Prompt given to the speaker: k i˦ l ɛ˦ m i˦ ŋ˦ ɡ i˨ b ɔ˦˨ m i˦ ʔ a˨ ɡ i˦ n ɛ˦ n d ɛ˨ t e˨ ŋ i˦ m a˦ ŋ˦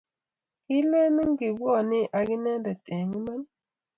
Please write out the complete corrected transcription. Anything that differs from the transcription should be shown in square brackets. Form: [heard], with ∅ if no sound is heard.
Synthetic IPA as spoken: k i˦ l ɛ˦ [n] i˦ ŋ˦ ɡ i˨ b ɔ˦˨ [n] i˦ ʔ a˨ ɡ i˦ n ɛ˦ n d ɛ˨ t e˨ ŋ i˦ m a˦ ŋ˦